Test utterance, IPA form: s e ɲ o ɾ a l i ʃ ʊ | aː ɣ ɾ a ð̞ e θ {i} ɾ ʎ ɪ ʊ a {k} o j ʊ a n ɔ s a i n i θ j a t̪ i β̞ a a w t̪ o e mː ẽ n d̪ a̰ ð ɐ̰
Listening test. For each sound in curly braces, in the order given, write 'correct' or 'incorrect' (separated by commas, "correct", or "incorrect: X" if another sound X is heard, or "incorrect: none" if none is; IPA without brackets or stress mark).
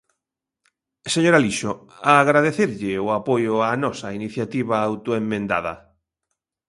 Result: incorrect: e, incorrect: p